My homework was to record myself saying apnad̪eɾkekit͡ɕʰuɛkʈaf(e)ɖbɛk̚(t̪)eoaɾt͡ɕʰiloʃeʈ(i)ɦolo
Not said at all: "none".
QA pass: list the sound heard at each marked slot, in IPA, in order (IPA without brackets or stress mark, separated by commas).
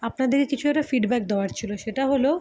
i, d̪, a